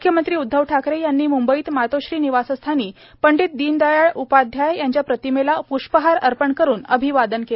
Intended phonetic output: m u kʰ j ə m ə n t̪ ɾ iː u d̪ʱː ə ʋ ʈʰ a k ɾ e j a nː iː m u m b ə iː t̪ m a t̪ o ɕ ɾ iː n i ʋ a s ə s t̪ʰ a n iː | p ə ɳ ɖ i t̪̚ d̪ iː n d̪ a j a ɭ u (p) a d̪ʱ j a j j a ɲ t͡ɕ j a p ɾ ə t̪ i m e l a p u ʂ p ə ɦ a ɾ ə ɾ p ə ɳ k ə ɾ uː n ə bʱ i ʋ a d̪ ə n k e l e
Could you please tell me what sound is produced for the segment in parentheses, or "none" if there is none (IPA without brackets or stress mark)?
p